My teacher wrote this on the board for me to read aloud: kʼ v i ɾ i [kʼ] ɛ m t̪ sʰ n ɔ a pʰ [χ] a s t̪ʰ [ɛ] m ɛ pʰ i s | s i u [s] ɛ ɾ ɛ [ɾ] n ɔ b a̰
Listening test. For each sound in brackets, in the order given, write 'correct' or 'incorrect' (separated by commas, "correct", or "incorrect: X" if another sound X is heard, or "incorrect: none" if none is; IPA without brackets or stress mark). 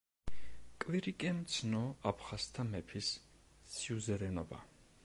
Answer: correct, correct, incorrect: a, incorrect: z, incorrect: none